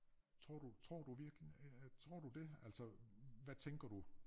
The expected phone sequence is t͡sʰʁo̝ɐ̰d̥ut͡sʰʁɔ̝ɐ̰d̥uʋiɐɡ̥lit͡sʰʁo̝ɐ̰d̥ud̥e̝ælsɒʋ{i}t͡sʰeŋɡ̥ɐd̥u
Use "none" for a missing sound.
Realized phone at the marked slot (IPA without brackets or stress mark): æ